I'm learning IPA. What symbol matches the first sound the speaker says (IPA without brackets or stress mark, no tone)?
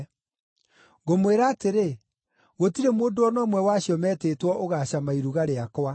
ɣ